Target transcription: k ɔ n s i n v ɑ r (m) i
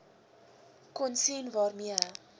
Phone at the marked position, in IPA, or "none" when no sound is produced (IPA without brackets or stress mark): m